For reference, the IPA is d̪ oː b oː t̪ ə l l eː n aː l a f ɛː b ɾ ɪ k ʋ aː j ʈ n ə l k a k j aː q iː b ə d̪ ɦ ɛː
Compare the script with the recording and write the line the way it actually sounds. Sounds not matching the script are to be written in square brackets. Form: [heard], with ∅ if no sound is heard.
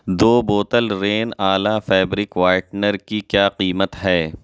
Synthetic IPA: d̪ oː b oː t̪ ə l [ɾ] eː n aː l a f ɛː b ɾ ɪ k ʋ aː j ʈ n ə [ɾ] k [i] k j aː q iː [m] ə [t̪] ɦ ɛː